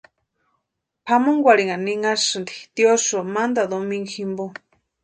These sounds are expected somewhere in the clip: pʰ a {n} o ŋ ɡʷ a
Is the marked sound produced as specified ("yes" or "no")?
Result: no